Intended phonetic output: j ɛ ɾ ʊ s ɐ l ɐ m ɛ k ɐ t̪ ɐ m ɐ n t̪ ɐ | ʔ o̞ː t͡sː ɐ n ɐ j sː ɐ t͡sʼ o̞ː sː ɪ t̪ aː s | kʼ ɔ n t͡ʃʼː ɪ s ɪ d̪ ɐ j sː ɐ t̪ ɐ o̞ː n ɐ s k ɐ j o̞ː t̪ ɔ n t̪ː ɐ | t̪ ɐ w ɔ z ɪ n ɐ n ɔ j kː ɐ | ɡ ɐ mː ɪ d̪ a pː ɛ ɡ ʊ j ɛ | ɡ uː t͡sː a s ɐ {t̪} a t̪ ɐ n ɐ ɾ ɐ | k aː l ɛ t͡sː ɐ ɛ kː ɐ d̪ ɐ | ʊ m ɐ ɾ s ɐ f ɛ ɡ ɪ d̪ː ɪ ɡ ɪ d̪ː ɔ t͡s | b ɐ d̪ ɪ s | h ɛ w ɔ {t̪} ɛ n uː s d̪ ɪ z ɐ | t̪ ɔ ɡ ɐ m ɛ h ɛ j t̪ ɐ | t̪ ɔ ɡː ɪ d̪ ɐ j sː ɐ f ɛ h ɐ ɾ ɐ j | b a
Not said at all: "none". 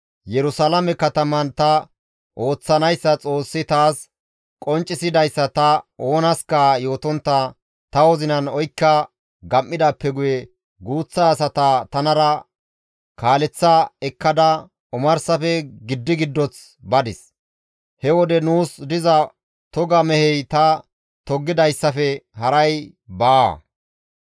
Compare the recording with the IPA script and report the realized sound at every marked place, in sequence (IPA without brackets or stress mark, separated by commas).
t̪, d̪